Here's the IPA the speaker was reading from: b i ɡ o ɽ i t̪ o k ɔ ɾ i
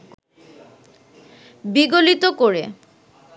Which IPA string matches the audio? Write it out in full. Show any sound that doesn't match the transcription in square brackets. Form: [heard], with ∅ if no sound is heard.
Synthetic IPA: b i ɡ o [l] i t̪ o k [o] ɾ [e]